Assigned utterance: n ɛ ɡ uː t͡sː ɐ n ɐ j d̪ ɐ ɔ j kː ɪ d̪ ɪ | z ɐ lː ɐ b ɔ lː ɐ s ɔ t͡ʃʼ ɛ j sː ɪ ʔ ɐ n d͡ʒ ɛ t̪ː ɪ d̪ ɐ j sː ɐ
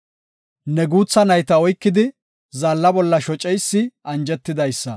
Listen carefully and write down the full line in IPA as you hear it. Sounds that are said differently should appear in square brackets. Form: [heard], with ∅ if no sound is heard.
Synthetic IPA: n ɛ ɡ uː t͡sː ɐ n ɐ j [t̪] ɐ ɔ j kː ɪ d̪ ɪ | z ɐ lː ɐ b ɔ lː ɐ [ʃ] ɔ t͡ʃʼ ɛ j sː ɪ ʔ ɐ n d͡ʒ ɛ t̪ː ɪ d̪ ɐ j sː ɐ